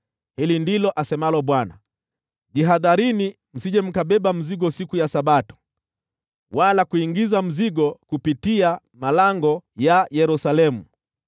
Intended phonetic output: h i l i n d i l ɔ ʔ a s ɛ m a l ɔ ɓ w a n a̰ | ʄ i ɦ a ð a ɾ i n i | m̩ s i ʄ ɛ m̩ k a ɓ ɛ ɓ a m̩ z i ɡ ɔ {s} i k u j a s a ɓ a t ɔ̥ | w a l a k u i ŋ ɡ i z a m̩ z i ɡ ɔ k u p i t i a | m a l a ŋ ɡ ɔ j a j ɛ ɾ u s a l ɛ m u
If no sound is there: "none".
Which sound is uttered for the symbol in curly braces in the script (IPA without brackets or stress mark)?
s